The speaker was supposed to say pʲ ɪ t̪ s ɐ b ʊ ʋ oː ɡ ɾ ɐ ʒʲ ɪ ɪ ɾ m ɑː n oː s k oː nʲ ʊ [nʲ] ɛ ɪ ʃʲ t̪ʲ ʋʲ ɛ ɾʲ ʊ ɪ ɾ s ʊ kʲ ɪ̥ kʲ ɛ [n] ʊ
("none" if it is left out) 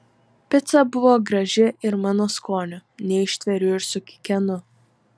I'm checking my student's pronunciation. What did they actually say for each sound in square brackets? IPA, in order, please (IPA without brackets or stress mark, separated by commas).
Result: nʲ, n